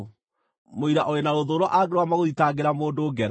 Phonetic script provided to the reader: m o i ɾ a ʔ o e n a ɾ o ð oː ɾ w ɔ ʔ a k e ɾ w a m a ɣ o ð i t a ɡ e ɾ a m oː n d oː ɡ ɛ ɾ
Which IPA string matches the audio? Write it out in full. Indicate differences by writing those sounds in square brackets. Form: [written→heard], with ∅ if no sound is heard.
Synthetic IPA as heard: m o i ɾ a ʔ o e n a ɾ o ð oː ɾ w ɔ ʔ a [k→ɡ] e ɾ w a m a ɣ o ð i t a ɡ e ɾ a m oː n d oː ɡ ɛ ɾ